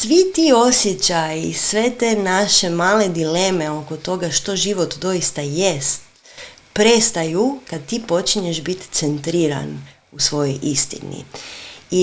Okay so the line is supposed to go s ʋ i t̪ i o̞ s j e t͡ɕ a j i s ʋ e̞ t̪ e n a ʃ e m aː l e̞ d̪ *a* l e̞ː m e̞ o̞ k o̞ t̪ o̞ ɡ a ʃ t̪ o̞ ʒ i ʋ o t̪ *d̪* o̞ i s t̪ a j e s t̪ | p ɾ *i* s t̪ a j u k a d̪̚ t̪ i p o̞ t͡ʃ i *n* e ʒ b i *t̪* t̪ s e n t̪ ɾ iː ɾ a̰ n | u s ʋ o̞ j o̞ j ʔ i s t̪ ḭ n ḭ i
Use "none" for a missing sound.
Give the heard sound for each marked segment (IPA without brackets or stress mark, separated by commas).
i, d̪, e, ɲ, t̪